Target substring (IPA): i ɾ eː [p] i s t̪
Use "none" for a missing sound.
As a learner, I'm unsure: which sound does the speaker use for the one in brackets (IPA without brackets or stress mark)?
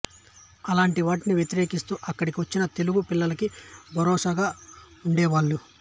k